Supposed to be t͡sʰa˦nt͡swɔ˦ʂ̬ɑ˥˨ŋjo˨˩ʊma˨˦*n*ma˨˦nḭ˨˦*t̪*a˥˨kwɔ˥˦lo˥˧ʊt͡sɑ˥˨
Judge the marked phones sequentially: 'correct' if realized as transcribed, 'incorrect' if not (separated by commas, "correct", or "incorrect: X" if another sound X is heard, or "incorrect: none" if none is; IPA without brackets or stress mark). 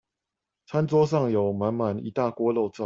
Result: correct, correct